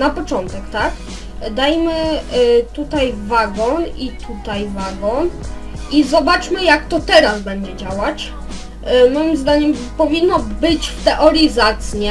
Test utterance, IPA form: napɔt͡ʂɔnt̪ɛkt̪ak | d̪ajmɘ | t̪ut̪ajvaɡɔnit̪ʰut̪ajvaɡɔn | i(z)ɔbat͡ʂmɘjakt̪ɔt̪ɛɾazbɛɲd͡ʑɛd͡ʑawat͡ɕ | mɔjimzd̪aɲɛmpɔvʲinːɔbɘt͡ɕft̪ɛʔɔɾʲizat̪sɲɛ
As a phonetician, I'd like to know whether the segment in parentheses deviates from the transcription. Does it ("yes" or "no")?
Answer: no